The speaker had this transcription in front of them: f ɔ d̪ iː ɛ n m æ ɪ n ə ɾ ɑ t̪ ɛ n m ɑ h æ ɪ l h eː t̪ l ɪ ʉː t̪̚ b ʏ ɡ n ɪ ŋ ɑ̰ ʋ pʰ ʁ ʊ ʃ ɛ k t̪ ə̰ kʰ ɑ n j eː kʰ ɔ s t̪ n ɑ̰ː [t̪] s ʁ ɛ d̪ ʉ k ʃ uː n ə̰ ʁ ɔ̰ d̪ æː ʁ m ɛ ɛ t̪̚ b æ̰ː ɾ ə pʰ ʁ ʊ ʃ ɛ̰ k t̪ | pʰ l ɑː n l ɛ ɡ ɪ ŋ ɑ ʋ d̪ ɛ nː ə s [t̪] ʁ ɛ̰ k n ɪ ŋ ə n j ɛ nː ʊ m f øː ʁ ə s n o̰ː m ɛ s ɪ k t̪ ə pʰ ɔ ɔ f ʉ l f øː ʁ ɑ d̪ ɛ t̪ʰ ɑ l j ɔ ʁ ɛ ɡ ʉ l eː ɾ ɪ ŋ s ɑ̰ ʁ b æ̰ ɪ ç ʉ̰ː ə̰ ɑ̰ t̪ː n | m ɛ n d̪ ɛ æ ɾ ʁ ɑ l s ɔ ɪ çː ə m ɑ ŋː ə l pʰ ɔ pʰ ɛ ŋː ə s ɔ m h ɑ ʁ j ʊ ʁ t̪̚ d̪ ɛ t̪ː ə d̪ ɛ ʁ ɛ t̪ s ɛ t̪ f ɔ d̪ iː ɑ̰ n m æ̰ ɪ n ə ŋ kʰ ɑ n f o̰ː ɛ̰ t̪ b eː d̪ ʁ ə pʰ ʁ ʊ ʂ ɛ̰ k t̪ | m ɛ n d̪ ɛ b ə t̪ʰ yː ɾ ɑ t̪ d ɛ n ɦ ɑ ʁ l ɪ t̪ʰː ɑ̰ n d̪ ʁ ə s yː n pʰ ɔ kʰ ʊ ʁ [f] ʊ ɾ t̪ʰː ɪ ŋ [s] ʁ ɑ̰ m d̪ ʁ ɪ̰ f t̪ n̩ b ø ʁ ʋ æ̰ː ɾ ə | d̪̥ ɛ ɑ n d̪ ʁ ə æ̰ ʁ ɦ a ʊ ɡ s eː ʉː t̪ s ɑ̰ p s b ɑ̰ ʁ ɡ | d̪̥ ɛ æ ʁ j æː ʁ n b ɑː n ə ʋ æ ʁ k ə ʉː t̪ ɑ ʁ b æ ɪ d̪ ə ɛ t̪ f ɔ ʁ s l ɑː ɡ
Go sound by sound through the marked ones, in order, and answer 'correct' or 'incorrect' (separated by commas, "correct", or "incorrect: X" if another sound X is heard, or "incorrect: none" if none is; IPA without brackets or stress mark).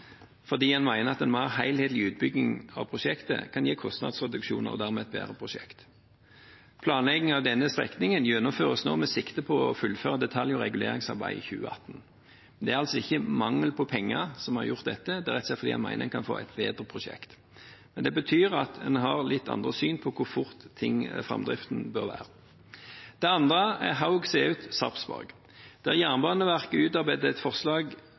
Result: incorrect: d̪, correct, correct, incorrect: f